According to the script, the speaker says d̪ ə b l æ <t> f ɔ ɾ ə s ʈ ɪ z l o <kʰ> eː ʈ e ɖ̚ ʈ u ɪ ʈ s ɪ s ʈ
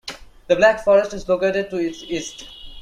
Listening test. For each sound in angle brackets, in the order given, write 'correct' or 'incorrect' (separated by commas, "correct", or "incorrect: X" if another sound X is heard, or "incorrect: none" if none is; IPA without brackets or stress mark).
incorrect: k, incorrect: k